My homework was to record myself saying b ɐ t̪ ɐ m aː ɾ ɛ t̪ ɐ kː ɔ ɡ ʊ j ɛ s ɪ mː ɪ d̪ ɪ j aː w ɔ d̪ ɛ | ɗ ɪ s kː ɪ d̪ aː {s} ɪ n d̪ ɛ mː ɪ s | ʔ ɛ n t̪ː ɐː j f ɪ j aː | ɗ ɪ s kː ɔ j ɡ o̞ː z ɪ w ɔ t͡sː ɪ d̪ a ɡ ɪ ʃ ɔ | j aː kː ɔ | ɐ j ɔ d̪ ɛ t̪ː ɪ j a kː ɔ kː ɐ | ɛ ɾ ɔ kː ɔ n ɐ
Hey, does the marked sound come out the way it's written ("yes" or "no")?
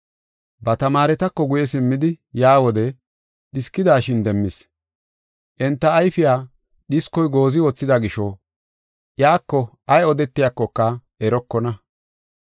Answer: no